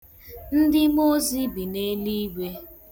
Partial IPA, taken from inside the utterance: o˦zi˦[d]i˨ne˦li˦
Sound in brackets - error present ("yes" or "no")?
yes